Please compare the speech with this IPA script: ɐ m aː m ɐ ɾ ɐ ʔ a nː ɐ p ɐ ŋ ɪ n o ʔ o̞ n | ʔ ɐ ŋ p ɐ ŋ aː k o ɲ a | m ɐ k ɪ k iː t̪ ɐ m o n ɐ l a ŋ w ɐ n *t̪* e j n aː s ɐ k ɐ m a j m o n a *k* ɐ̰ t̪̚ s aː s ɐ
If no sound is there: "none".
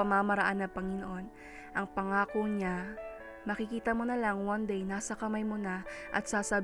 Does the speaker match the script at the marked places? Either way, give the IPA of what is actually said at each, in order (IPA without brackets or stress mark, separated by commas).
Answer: d̪, ʔ